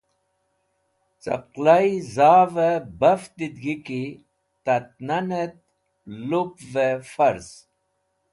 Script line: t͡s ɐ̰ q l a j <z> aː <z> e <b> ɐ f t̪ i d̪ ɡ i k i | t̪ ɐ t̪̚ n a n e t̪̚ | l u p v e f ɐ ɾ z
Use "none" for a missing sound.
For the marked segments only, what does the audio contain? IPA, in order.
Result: z, v, b

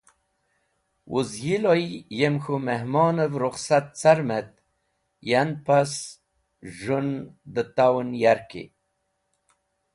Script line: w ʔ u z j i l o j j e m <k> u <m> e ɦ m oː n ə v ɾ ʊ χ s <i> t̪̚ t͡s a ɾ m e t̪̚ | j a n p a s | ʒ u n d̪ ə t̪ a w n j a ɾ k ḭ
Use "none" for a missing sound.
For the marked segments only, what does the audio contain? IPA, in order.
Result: x, m, a

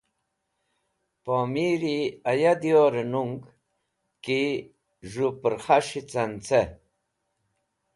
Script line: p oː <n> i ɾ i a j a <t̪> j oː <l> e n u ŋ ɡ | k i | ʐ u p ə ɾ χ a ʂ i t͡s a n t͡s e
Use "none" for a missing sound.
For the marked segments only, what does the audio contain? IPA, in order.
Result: m, d̪, ɾ

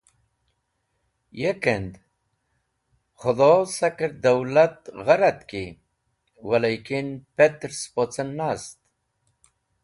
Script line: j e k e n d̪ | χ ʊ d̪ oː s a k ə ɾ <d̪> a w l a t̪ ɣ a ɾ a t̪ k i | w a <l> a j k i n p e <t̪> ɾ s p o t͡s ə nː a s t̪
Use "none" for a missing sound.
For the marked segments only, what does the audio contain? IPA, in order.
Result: d̪, l, t̪

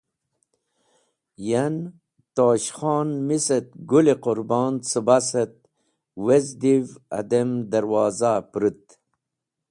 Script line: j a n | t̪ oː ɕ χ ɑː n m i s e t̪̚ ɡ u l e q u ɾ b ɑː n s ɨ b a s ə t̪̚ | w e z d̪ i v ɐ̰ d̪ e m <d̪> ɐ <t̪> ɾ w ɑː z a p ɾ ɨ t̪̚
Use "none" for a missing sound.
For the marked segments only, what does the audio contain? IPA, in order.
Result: d̪, none

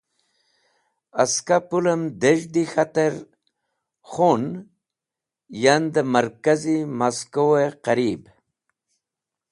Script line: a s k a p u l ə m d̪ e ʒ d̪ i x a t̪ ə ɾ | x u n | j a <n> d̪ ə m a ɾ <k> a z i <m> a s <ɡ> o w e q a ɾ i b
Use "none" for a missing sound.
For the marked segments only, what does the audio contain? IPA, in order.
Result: n, k, m, k

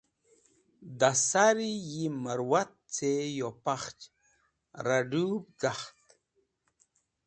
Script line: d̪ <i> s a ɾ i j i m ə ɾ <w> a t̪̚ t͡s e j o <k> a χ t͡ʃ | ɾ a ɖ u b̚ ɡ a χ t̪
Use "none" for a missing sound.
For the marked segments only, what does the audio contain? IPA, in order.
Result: a, w, p

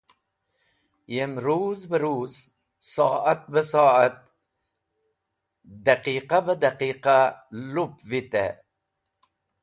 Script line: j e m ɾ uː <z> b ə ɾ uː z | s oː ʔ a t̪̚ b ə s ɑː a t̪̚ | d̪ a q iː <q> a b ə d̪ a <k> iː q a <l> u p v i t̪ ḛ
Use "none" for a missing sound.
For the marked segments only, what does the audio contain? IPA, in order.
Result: z, q, q, l

